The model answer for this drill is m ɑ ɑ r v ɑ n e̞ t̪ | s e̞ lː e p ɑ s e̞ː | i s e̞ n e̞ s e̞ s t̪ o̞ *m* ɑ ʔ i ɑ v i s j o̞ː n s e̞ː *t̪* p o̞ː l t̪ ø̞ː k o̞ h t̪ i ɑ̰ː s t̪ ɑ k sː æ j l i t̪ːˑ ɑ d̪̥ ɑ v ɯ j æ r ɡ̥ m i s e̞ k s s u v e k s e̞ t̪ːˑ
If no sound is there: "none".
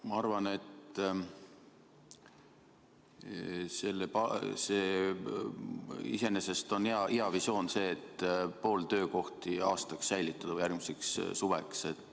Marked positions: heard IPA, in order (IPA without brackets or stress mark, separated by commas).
n, t̪